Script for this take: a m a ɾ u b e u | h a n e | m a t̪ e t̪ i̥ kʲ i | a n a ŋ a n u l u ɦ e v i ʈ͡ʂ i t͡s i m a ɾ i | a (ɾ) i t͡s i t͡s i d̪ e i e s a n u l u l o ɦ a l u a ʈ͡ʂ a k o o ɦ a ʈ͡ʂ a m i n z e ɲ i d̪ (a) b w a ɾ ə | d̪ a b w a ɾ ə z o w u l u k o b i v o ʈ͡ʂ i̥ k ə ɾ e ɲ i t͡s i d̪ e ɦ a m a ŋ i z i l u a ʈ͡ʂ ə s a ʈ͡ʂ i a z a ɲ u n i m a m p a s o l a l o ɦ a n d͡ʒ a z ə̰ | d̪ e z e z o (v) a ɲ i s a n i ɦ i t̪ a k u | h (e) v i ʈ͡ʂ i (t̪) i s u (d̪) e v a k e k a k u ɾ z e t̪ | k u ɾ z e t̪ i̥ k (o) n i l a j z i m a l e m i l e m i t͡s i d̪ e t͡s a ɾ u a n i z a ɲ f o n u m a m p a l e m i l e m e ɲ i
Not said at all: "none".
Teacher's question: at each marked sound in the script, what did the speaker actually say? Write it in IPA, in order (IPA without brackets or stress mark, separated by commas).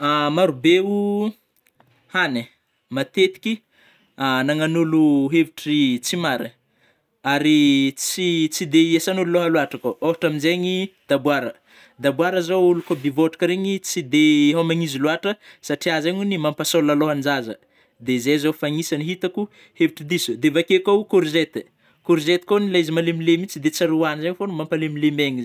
ɾ, a, f, e, d̪, d̪, o